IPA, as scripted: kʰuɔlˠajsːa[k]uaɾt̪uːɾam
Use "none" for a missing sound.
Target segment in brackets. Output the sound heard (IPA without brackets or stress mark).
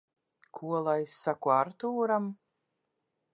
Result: k